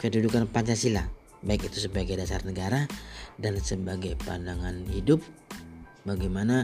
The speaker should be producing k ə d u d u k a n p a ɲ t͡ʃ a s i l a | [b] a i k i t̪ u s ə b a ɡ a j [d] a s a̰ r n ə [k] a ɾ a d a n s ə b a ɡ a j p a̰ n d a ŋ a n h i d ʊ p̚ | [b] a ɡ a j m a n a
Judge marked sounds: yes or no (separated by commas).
yes, yes, no, yes